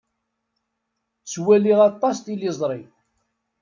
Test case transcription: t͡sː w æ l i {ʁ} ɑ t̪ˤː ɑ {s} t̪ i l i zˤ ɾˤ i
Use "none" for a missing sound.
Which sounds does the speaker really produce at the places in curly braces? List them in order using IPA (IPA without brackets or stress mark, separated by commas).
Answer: ʁ, s